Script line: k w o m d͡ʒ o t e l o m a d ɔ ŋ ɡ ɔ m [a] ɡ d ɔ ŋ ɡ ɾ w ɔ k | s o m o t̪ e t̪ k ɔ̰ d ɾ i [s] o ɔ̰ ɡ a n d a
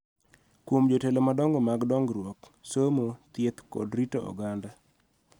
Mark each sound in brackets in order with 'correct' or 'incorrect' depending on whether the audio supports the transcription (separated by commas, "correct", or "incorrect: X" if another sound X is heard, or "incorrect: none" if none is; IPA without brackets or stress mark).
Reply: correct, incorrect: t